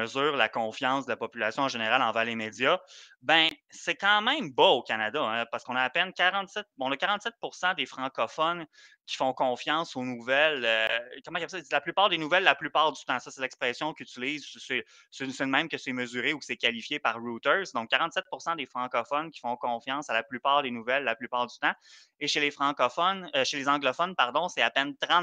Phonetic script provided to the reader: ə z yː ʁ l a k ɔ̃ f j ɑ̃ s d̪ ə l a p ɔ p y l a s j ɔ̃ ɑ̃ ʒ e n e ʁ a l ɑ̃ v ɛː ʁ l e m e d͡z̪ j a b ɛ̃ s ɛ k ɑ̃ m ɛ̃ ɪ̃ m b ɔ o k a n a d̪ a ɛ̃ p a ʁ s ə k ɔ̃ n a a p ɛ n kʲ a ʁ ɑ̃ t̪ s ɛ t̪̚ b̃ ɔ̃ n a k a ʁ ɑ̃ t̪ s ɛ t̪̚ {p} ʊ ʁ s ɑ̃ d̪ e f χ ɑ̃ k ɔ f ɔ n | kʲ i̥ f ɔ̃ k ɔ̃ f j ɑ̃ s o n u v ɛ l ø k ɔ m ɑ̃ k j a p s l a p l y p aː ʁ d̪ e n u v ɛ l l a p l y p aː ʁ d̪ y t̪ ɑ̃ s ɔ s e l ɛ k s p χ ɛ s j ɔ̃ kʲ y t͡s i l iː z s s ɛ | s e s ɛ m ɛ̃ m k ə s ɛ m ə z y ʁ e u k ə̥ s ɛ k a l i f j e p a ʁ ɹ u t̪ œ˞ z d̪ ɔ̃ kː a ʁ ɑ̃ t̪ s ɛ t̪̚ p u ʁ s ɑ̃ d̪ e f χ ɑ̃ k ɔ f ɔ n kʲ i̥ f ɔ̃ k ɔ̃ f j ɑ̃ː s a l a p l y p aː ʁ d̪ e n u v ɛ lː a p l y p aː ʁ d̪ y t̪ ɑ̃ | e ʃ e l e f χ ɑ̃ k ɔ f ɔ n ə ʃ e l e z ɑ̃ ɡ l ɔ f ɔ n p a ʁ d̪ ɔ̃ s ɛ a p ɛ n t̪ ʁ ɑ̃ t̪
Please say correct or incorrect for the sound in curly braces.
correct